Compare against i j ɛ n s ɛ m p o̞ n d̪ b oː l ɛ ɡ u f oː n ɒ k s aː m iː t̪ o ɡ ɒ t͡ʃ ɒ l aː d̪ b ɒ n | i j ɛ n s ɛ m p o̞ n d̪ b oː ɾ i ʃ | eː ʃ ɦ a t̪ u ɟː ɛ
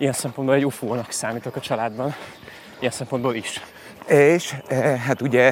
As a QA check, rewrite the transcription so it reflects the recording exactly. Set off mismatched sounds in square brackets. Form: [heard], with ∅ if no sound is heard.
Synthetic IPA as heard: i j ɛ n s ɛ m p o̞ n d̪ b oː l ɛ [ɟ] u f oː n ɒ k s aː m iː t̪ o [k] ɒ t͡ʃ ɒ l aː d̪ b ɒ n | i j ɛ n s ɛ m p o̞ n d̪ b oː [l] i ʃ | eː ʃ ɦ a t̪ u [ɟ] ɛ